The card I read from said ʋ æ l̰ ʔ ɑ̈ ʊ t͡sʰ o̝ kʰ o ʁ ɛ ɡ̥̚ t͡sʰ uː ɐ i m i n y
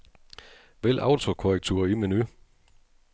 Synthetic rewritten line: ʋ e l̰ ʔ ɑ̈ ʊ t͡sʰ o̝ kʰ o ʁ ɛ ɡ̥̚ t͡sʰ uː ɐ i m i n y